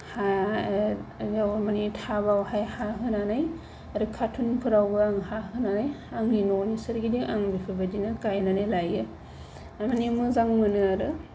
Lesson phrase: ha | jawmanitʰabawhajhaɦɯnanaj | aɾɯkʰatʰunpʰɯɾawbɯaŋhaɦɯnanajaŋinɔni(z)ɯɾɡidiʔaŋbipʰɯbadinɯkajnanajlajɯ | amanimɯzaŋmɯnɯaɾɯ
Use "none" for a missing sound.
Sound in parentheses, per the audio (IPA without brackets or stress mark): s